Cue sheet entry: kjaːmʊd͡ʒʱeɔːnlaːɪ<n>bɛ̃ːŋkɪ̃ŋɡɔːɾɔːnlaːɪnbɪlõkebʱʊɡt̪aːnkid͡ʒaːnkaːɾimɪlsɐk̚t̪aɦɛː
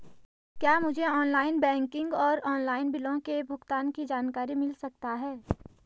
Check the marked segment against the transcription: correct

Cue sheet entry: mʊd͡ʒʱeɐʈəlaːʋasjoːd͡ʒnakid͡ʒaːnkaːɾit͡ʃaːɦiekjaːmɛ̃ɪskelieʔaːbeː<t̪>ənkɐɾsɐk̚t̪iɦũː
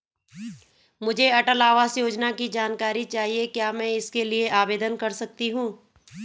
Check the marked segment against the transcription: incorrect: d̪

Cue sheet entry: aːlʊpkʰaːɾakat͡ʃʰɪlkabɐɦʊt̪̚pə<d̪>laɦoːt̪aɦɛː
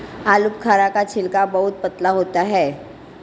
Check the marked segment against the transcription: incorrect: t̪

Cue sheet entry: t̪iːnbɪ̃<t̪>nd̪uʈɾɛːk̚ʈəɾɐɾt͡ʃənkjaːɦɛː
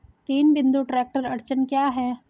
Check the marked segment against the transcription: incorrect: none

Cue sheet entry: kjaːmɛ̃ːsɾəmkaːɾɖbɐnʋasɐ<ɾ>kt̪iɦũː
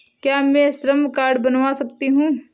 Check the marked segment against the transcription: incorrect: none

